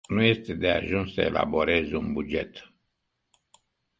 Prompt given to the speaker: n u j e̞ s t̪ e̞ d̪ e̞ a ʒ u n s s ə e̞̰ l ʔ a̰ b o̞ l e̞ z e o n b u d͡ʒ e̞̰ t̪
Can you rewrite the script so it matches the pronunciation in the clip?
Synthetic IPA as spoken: n u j e̞ s t̪ e̞ d̪ e̞ a ʒ u n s s ə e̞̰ l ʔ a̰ b o̞ ɾ e̞ z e u n b u d͡ʒ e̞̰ t̪